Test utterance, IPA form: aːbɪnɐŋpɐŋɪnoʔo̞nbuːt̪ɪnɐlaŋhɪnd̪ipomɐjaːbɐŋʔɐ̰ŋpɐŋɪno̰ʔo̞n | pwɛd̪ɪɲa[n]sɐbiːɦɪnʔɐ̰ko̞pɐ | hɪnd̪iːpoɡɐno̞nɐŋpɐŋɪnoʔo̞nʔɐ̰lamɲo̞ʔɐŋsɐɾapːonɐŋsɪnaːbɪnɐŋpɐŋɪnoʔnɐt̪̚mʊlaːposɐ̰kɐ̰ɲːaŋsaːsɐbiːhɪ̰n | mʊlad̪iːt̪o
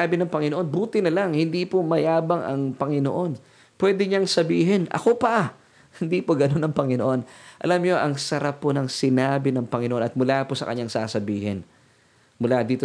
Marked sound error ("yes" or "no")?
yes